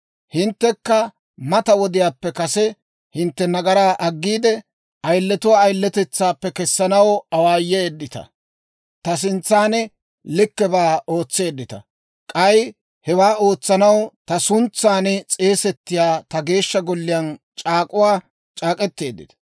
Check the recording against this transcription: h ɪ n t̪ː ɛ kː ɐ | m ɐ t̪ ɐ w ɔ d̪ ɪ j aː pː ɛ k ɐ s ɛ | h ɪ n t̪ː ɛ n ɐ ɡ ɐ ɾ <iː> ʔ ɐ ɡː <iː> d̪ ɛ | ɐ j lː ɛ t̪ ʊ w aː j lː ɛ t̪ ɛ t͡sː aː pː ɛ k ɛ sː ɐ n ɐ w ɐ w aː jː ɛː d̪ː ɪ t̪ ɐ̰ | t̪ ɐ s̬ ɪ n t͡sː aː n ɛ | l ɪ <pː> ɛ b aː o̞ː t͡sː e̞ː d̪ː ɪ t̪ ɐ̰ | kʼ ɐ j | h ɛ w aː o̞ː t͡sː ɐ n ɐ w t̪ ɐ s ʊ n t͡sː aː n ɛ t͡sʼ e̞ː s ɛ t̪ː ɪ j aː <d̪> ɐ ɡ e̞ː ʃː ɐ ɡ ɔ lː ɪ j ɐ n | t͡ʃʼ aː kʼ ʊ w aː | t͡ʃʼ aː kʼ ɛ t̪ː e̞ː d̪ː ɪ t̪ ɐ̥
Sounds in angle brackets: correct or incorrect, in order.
incorrect: aː, correct, incorrect: kː, incorrect: t̪

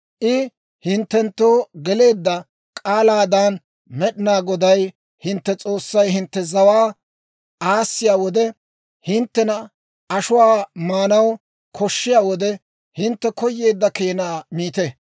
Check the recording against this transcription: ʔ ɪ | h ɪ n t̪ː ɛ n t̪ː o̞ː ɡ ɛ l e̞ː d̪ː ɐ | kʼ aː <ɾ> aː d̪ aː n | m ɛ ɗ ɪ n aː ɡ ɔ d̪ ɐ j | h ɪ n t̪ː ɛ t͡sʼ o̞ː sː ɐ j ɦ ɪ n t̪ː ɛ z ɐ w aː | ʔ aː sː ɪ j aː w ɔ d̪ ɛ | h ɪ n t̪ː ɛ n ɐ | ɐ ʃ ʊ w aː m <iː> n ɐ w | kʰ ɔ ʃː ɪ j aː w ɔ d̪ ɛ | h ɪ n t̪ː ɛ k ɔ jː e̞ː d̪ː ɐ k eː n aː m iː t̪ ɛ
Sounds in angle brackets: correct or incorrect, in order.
incorrect: l, incorrect: aː

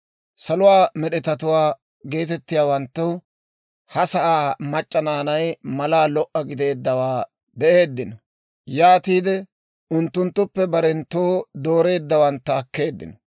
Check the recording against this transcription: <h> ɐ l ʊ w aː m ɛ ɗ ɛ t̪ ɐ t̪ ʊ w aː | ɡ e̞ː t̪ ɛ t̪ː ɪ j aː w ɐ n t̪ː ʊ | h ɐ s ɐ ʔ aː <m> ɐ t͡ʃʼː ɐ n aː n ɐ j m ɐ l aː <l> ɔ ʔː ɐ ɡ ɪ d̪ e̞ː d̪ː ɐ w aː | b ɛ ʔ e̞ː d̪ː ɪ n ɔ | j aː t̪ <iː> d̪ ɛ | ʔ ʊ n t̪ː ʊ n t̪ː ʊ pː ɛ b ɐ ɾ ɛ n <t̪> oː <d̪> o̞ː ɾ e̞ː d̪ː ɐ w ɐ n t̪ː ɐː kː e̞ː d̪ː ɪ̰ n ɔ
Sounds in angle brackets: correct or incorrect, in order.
incorrect: s, correct, correct, correct, correct, correct

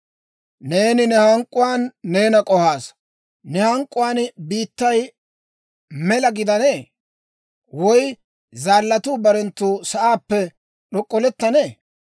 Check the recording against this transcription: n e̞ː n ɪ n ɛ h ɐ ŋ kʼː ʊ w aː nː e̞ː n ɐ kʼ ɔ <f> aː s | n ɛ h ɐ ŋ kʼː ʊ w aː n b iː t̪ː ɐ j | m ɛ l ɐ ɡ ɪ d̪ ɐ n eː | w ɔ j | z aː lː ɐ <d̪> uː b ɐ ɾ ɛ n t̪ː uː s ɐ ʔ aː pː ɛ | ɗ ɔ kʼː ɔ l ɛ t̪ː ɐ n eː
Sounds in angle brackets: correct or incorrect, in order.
incorrect: h, incorrect: t̪

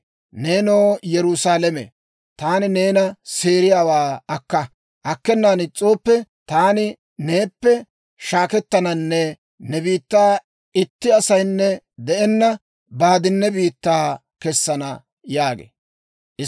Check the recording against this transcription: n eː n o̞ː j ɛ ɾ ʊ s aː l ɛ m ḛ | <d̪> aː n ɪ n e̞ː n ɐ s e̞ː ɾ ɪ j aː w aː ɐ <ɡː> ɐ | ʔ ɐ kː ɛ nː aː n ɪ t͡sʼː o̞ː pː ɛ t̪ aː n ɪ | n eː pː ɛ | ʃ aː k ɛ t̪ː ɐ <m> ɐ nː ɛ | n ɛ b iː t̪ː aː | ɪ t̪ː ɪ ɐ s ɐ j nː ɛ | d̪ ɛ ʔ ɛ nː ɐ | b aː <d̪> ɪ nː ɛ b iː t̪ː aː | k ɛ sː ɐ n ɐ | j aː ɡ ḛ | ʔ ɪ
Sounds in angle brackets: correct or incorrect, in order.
incorrect: t̪, incorrect: kː, incorrect: n, correct

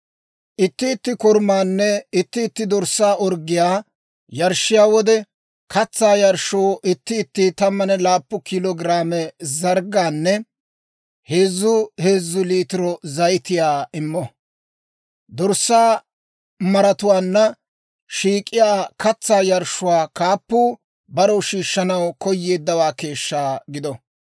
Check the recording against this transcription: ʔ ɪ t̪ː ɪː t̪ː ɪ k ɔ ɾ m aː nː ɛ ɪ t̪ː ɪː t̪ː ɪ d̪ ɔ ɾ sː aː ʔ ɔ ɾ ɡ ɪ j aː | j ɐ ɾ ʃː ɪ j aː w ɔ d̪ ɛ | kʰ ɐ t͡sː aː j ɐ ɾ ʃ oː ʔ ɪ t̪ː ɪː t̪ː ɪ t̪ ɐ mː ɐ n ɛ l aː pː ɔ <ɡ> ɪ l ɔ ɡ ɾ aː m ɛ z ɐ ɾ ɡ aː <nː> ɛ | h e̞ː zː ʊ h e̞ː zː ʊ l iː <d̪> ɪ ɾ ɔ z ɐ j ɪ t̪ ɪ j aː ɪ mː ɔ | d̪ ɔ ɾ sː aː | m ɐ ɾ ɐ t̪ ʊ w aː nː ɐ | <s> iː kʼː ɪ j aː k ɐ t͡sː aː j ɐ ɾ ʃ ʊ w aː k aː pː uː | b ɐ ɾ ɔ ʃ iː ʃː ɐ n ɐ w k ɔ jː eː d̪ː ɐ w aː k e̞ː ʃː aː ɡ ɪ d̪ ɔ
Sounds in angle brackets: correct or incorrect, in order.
incorrect: k, correct, incorrect: t̪, incorrect: ʃ

